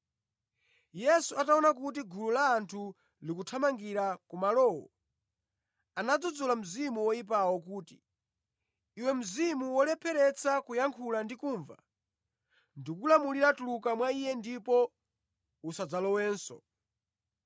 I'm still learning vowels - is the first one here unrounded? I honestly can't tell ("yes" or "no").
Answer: yes